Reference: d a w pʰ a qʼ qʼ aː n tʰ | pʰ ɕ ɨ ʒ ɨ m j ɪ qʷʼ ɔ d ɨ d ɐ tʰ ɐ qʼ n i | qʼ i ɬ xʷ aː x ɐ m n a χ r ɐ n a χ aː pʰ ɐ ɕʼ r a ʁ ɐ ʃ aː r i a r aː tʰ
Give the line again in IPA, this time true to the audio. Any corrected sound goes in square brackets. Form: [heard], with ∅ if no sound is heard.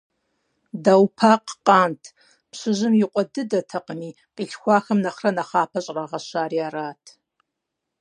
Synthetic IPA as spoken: d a w pʰ a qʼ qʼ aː n tʰ | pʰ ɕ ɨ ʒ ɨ m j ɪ qʷʼ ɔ d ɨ d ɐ tʰ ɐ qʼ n i | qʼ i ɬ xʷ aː x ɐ m n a χ r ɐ n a χ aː pʰ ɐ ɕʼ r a ʁ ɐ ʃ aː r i a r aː tʰ

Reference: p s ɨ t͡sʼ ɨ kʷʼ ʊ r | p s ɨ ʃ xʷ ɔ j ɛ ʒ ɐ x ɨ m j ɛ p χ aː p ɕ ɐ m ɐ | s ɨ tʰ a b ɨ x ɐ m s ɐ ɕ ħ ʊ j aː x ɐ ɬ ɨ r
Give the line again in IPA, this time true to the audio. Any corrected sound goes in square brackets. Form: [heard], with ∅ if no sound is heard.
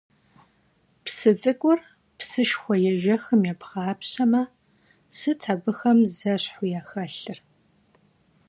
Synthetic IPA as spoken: p s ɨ t͡sʼ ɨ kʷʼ ʊ r | p s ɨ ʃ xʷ ɔ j ɛ ʒ ɐ x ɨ m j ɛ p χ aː p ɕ ɐ m ɐ | s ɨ tʰ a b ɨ x ɐ m [z] ɐ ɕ ħ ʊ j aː x ɐ ɬ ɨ r

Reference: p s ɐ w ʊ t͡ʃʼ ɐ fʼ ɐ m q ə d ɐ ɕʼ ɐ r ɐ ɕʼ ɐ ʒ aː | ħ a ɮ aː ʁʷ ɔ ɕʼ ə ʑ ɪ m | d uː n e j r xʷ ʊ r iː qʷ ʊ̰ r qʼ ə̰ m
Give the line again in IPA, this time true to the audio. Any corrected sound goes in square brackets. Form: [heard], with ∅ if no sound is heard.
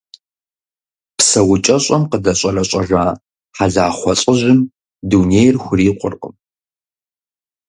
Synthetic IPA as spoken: p s ɐ w ʊ t͡ʃʼ ɐ [ɕʼ] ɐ m q ə d ɐ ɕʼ ɐ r ɐ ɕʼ ɐ ʒ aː | ħ a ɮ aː [χʷ] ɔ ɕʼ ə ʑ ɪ m | d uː n e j r xʷ ʊ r iː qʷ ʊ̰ r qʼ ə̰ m

